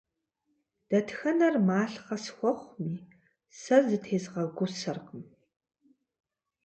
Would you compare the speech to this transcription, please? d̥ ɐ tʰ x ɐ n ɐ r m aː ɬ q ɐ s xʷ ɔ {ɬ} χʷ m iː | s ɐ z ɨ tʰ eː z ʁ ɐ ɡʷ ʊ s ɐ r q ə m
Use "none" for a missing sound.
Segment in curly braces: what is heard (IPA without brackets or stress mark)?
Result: none